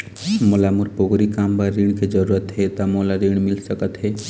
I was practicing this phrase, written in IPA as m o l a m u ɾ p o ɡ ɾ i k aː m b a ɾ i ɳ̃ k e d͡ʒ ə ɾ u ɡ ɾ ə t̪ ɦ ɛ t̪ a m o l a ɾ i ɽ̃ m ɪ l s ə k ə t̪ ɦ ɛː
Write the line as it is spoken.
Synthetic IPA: m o l a m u ɾ p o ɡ ɾ i k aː m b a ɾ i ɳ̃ k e d͡ʒ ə ɾ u ɾ ə t̪ ɦ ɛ t̪ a m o l a ɾ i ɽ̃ m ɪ l s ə k ə t̪ ɦ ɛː